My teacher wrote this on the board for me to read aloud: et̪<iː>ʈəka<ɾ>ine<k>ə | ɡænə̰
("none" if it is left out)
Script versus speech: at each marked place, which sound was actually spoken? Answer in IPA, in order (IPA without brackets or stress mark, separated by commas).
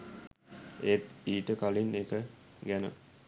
iː, l, k